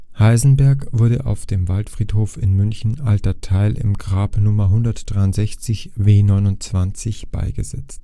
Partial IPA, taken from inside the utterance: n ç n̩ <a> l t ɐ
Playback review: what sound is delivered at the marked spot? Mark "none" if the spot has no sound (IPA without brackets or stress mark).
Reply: a